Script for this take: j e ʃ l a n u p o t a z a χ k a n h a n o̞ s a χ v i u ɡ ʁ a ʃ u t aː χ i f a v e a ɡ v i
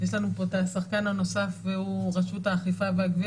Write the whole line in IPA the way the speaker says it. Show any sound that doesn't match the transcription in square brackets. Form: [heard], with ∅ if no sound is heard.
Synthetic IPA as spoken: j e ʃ l a n u p o t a [s] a χ k a n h a n o̞ s a [f] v [e] u [∅] ʁ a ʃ u t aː χ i f a v e a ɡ v i